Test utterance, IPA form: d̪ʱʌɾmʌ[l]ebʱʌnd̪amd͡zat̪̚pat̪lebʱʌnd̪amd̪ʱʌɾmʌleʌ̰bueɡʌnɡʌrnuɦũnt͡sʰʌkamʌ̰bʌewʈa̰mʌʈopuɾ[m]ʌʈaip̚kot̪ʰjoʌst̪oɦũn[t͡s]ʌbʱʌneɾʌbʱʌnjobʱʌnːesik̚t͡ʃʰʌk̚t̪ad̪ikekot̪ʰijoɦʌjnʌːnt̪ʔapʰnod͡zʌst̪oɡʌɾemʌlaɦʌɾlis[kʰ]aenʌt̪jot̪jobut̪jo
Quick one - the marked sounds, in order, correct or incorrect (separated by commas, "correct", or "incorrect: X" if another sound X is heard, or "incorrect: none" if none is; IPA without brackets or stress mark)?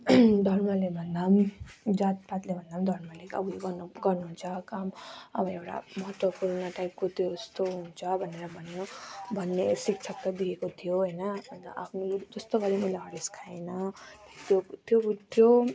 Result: correct, incorrect: n, incorrect: t͡sʰ, correct